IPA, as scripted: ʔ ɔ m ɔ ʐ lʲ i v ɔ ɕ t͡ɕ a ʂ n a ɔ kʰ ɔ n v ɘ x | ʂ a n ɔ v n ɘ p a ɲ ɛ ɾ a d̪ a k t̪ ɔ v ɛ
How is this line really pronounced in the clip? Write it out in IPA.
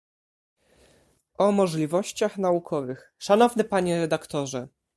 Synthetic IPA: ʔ ɔ m ɔ ʐ lʲ i v ɔ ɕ t͡ɕ a x n a u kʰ ɔ v ɘ x | ʂ a n ɔ v n ɘ p a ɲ ɛ ɾ ɛ d̪ a k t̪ ɔ ʐ ɛ